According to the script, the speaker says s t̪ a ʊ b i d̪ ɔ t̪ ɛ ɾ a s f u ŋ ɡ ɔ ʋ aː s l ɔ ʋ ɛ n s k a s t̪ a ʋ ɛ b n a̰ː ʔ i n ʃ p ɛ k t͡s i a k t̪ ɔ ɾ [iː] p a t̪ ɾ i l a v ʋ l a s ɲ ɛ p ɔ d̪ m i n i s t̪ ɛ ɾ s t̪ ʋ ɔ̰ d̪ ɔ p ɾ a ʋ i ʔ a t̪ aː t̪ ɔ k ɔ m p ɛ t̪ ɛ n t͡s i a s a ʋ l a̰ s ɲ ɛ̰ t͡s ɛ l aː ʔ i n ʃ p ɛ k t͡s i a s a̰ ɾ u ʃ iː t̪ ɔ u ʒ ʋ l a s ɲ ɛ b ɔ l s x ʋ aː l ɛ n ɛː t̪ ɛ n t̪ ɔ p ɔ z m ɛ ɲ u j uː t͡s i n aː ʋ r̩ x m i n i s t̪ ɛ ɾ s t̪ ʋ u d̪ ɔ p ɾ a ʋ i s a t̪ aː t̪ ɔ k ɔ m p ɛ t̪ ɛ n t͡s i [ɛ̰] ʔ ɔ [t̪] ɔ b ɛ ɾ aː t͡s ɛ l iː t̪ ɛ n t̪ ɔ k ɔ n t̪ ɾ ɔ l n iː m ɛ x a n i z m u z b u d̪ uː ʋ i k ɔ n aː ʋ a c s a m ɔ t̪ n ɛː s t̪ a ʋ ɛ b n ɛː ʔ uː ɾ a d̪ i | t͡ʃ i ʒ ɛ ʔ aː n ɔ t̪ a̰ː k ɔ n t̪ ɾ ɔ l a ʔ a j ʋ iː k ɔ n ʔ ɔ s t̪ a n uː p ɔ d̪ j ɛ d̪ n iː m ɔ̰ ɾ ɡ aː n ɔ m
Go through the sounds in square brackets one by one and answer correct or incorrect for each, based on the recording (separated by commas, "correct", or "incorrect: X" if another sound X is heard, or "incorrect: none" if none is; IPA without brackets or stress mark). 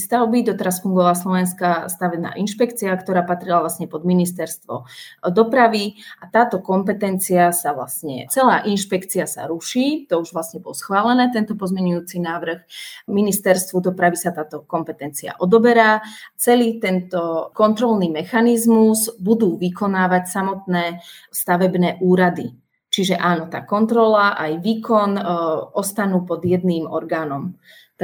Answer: incorrect: aː, incorrect: a̰, incorrect: d̪